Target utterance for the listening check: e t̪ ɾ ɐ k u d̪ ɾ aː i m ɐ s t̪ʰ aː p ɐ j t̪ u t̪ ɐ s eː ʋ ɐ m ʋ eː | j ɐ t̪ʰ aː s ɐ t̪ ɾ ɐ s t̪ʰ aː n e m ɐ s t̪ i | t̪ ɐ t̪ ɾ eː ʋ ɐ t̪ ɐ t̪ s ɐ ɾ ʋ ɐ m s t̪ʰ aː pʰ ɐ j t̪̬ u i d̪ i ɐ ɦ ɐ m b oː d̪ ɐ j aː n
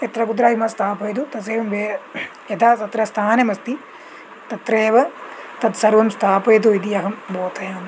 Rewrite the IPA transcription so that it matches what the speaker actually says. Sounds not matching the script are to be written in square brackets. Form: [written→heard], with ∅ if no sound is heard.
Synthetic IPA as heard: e t̪ ɾ ɐ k u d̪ ɾ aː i m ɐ s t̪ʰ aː p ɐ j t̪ u t̪ ɐ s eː ʋ ɐ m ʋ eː | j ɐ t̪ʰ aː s ɐ t̪ ɾ ɐ s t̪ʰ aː n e m ɐ s t̪ i | t̪ ɐ t̪ ɾ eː ʋ ɐ t̪ ɐ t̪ s ɐ ɾ ʋ ɐ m s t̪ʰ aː [pʰ→p] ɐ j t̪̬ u i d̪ i ɐ ɦ ɐ m b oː [d̪→t̪] ɐ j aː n